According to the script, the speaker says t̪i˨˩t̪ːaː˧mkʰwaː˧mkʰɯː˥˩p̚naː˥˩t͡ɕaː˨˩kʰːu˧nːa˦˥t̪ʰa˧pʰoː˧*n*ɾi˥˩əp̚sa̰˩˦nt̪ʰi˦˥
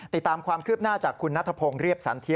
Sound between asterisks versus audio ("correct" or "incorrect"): incorrect